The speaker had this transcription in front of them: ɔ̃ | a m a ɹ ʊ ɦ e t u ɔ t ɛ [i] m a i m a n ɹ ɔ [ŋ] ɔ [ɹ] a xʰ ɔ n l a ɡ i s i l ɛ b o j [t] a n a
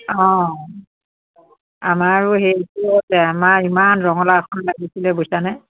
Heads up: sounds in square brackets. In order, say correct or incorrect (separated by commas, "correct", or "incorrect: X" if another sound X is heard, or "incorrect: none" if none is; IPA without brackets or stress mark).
incorrect: a, correct, incorrect: l, incorrect: s